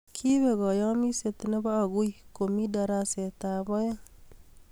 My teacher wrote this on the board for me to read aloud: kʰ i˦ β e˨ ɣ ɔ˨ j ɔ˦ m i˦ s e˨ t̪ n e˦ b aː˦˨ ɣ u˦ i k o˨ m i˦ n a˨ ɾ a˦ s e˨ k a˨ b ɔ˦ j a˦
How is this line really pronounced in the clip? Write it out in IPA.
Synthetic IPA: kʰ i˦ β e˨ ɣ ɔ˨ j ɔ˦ m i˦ s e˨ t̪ n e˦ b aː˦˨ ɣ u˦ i k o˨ m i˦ d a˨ ɾ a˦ s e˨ t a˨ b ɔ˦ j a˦